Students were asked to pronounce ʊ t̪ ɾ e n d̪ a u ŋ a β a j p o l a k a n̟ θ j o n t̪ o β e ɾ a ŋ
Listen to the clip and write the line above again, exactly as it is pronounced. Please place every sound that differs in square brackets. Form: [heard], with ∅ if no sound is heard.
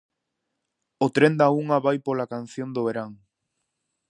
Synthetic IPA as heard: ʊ t̪ ɾ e n d̪ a u ŋ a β a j p o l a k a n̟ θ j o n [d̪] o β e ɾ a ŋ

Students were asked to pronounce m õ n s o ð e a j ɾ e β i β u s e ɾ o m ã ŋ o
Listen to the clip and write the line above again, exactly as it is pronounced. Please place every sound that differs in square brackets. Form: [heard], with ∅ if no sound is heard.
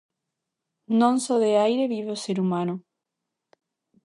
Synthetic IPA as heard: [n] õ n s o ð e a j ɾ e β i β [o] s e ɾ [u] m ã [n] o

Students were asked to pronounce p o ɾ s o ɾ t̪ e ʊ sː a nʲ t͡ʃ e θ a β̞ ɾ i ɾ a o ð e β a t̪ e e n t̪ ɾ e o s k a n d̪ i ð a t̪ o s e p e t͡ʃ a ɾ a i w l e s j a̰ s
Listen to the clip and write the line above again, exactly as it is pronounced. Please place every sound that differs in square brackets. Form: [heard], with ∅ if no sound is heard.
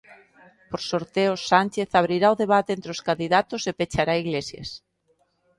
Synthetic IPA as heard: p o ɾ s o ɾ t̪ e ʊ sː a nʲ t͡ʃ e θ a β̞ ɾ i ɾ a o ð e β a t̪ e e n t̪ ɾ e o s k a n d̪ i ð a t̪ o s e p e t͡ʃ a ɾ a i [ɣ] l e s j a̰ s

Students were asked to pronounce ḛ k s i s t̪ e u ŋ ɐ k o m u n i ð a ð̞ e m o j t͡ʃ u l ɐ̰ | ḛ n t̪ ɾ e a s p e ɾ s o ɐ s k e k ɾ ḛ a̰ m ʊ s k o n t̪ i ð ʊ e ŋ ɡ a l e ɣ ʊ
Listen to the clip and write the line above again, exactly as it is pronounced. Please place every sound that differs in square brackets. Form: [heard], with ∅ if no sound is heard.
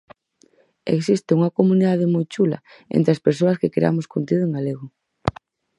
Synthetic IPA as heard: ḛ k s i s t̪ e u ŋ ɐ k o m u n i ð a ð̞ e m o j t͡ʃ u l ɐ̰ | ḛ n t̪ ɾ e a s p e ɾ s o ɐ s k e k ɾ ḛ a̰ m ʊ s k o n t̪ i ð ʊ e ŋ ɡ a l e ɣ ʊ

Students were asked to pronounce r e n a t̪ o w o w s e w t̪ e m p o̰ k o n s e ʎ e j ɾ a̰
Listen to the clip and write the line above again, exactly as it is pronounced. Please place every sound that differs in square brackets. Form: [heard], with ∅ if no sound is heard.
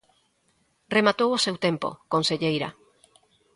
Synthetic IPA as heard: r e [m] a t̪ o w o [∅] s e w t̪ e m p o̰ k o n s e ʎ e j ɾ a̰

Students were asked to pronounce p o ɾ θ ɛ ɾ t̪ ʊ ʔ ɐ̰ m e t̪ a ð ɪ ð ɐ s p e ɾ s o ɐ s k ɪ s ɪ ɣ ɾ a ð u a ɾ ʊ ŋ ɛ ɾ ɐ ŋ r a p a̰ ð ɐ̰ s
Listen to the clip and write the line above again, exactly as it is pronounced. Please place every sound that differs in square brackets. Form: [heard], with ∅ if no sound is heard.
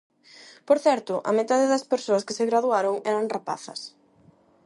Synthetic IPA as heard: p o ɾ θ ɛ ɾ t̪ ʊ ʔ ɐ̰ m e t̪ a ð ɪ ð ɐ s p e ɾ s o ɐ s k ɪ s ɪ ɣ ɾ a ð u a ɾ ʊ ŋ ɛ ɾ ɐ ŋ r a p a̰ [θ] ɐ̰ s

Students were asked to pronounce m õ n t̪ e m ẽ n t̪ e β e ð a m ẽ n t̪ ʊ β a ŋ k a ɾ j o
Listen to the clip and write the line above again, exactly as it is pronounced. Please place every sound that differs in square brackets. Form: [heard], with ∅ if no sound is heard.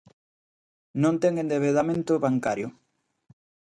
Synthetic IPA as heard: [n] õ n t̪ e [ŋ] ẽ n [d̪] e β e ð a m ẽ n t̪ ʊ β a ŋ k a ɾ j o

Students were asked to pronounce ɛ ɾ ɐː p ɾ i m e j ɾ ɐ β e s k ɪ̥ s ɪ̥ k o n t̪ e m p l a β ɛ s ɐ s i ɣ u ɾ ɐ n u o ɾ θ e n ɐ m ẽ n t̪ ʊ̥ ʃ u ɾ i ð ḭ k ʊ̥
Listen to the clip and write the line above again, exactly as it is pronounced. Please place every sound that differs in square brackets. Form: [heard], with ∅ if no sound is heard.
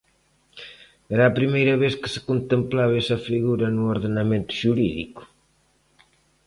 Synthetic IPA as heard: ɛ ɾ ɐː p ɾ i m e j ɾ ɐ β e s k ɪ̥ s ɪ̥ k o n t̪ e m p l a β ɛ s ɐ [f] i ɣ u ɾ ɐ n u o ɾ [ð] e n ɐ m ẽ n t̪ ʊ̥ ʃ u ɾ i ð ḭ k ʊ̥

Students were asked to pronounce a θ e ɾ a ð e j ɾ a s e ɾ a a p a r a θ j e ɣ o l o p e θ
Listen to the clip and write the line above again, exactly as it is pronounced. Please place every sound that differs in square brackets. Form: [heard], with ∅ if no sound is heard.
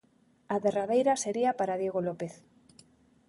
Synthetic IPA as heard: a [ð] e [r] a ð e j ɾ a s e ɾ [i] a p a [ɾ] a [ð] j e ɣ o l o p e θ

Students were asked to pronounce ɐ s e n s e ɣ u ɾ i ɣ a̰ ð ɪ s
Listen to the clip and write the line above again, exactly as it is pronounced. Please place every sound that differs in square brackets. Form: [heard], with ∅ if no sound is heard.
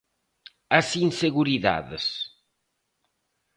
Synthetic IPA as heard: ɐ s [i] n s e ɣ u ɾ i [ð] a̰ ð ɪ s

